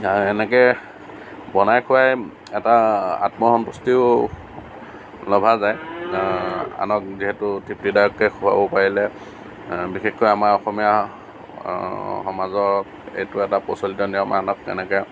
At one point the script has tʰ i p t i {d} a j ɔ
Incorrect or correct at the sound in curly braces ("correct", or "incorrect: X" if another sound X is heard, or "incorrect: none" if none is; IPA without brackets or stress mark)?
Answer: correct